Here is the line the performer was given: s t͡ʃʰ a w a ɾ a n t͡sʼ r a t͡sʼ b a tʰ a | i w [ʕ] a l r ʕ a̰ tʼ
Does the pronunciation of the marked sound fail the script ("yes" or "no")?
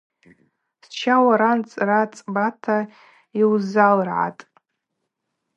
yes